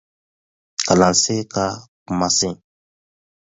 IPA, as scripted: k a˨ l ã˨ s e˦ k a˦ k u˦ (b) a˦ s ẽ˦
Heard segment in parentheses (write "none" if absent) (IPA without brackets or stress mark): m